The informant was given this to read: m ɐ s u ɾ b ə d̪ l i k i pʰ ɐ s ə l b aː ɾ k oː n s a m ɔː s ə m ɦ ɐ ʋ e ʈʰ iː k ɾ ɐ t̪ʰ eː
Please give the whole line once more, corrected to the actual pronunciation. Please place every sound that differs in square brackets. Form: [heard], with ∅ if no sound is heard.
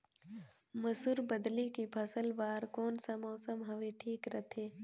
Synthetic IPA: m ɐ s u ɾ b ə d̪ l i k i pʰ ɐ s ə l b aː ɾ k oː n s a m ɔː s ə m ɦ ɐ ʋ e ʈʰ iː k ɾ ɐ t̪ʰ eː